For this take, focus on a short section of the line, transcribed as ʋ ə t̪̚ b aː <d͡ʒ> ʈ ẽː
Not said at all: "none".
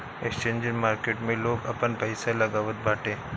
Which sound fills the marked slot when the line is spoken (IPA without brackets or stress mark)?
none